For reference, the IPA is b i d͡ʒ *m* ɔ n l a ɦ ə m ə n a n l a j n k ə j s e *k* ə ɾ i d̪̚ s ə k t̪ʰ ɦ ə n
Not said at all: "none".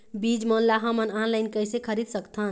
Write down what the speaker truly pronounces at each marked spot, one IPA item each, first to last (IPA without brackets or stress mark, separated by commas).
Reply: m, kʰ